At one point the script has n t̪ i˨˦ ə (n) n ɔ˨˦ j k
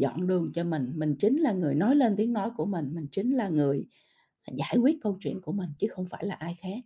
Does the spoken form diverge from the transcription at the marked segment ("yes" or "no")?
yes